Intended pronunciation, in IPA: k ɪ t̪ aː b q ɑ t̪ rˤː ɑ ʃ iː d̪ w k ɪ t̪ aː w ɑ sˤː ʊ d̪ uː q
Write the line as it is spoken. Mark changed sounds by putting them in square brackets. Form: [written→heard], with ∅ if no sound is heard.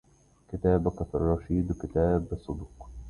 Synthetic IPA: k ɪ t̪ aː b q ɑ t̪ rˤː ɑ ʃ iː d̪ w k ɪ t̪ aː [w→b] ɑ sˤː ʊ d̪ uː q

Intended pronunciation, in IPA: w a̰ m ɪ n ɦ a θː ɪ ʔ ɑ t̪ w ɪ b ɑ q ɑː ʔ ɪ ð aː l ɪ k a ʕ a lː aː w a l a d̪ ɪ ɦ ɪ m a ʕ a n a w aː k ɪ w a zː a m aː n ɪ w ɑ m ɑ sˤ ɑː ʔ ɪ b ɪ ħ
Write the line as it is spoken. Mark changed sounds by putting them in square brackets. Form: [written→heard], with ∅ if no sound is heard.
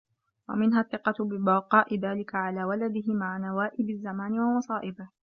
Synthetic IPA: w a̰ m ɪ n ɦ a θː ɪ [ʔ→q] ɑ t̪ [w→b] ɪ b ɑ q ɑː ʔ ɪ ð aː l ɪ k a ʕ a [lː→l] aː w a l a d̪ ɪ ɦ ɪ m a ʕ a n a w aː [k→ʔ] ɪ [w→b] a zː a m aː n ɪ w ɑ m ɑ sˤ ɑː ʔ ɪ b ɪ [ħ→h]

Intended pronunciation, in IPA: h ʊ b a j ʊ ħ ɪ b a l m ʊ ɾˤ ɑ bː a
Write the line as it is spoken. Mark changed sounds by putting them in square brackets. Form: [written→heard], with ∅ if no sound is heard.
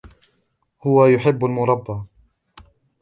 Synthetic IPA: h ʊ [b→w] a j ʊ ħ ɪ [b→bː] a l m ʊ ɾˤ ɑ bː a

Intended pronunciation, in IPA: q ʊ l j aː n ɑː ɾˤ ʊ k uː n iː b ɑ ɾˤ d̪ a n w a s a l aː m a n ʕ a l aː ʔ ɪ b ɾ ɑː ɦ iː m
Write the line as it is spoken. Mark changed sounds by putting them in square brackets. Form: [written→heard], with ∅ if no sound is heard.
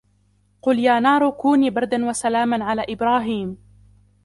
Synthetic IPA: q ʊ l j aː n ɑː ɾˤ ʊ k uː n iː b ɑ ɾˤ d̪ a n w a s a l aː m a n ʕ a l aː ʔ ɪ b ɾ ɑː ɦ iː m

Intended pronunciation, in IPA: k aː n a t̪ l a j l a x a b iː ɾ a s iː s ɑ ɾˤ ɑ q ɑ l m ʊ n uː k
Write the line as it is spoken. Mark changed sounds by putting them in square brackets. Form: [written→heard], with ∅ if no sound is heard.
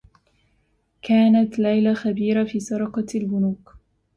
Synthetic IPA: k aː n a t̪ l a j l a x a b iː ɾ a [s→f] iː s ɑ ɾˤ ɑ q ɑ l [m→b] ʊ n uː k

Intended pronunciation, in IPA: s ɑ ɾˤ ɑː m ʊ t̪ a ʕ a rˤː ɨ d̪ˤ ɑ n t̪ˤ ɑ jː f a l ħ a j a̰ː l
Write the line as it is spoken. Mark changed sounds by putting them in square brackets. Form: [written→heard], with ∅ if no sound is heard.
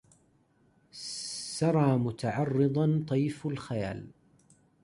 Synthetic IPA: s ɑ ɾˤ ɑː m ʊ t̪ a ʕ [a→ɑ] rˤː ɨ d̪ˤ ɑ n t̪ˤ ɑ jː f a l [ħ→x] a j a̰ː l

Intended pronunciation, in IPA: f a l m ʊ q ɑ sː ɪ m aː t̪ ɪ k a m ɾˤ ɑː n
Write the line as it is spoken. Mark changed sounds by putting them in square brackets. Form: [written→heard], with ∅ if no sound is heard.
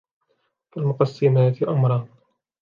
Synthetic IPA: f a l m ʊ q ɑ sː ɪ m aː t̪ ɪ [k→ʔ] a m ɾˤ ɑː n

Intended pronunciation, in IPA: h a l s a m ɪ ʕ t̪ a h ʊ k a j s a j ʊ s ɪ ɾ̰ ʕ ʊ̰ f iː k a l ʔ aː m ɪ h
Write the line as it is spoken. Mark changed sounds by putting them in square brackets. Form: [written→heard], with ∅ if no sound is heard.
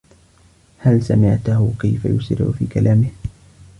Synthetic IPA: h a l s a m ɪ ʕ t̪ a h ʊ k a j [s→f] a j ʊ s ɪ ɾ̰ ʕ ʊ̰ f iː k a l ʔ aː m ɪ h

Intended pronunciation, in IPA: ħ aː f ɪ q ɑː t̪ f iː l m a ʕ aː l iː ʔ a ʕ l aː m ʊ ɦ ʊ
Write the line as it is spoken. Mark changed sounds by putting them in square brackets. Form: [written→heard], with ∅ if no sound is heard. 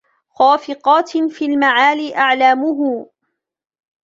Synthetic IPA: [ħ→x] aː f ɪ q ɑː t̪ f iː l m a ʕ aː l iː ʔ a ʕ l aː m ʊ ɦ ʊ

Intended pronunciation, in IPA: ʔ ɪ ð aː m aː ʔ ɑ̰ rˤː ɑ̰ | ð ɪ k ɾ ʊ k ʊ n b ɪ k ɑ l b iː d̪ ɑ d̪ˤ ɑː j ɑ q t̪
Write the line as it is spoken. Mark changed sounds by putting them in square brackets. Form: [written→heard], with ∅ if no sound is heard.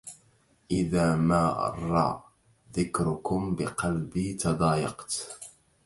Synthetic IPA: ʔ ɪ ð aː m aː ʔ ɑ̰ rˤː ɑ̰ | ð ɪ k ɾ ʊ k ʊ [n→m] b ɪ [k→q] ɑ l b iː [d̪→t̪] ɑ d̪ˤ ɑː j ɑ q t̪

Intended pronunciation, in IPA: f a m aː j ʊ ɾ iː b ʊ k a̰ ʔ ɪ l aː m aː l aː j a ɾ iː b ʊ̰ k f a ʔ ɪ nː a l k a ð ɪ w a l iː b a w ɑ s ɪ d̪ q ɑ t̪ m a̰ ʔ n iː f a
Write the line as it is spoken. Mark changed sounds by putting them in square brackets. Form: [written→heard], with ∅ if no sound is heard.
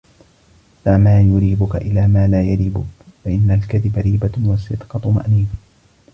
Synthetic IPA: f a m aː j ʊ ɾ iː b ʊ k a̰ ʔ ɪ l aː m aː l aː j a ɾ iː b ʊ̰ k f a ʔ ɪ nː a l k a ð ɪ [w→b] a [l→ɾ] iː b a w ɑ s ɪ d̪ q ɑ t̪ m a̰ ʔ n iː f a

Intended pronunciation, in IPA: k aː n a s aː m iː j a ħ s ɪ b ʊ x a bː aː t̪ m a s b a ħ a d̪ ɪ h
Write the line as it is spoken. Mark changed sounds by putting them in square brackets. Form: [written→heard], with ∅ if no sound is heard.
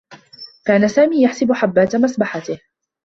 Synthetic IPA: k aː n a s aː m iː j a ħ s ɪ b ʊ [x→ħ] a bː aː t̪ m a s b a ħ a [d̪→t̪] ɪ h

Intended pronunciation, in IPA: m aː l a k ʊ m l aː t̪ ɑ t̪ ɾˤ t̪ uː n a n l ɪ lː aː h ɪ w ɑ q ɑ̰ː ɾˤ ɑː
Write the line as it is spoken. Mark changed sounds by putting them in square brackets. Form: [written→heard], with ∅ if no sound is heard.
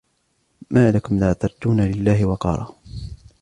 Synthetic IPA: m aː l a k ʊ m l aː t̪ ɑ [t̪→∅] ɾˤ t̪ uː n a [n→∅] l ɪ lː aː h ɪ w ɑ q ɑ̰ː ɾˤ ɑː

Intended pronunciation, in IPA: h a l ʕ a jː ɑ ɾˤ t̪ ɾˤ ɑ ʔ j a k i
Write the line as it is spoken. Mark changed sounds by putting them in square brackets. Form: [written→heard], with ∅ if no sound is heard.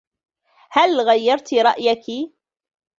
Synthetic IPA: h a l [ʕ→ɣ] a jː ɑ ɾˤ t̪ ɾˤ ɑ ʔ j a k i

